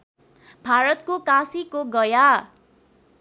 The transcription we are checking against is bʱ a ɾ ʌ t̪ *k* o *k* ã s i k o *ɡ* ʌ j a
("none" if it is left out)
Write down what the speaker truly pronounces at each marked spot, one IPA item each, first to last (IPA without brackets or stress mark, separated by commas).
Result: k, k, ɡ